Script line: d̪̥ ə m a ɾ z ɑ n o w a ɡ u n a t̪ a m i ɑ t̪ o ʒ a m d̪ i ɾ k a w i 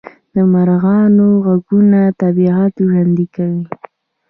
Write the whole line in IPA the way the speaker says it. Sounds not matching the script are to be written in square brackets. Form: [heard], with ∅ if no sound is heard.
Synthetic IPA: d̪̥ ə m a ɾ [ɣ] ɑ n o [ɣ] a ɡ u n a t̪ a [b] i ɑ t̪ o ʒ a [n] d̪ i [∅] k a w i